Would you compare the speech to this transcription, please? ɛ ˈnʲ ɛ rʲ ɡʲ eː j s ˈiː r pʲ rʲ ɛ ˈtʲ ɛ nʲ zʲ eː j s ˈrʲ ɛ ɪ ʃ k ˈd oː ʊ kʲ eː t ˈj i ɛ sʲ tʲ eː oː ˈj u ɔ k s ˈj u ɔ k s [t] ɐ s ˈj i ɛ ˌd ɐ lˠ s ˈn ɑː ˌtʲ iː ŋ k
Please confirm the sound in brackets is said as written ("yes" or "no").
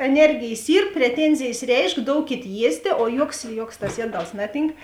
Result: yes